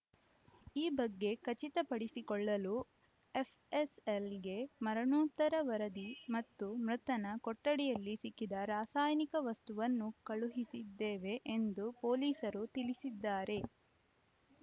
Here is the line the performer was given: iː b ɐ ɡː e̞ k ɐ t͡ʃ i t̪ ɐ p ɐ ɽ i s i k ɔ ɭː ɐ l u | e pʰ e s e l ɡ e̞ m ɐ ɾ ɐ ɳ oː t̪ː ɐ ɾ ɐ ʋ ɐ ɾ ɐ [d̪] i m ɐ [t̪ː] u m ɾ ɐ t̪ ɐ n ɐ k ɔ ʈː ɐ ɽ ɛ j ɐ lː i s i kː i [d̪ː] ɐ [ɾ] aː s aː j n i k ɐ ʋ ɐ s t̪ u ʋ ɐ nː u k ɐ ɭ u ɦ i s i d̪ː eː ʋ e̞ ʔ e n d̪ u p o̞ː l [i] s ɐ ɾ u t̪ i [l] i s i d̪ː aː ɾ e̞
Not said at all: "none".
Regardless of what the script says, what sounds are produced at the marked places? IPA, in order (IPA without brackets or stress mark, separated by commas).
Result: d̪, t̪ː, d̪, ɾ, iː, l